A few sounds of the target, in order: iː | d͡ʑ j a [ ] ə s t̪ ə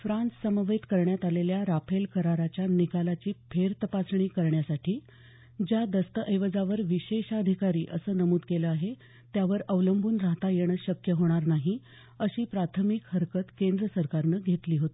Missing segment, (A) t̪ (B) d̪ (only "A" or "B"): B